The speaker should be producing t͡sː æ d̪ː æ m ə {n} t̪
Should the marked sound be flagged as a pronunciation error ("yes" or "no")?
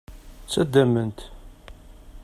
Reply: no